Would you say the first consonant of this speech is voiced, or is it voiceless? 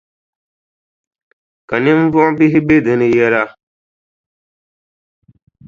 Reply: voiceless